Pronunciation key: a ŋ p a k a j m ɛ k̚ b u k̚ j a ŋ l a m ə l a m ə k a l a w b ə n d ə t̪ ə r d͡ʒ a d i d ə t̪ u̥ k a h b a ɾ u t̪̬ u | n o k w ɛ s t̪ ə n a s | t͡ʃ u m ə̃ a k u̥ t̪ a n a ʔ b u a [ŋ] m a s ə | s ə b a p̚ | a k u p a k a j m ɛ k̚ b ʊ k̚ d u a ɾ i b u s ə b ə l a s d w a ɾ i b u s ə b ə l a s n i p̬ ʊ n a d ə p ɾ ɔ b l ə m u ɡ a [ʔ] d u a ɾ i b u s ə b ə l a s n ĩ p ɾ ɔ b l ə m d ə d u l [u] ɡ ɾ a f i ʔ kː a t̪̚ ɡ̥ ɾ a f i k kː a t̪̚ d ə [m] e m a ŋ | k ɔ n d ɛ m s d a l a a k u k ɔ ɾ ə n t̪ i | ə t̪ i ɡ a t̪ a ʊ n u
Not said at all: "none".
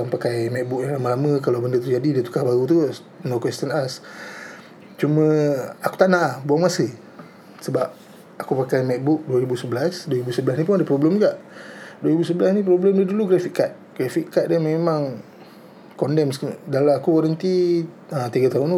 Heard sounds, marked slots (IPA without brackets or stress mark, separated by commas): ŋ, ʔ, u, m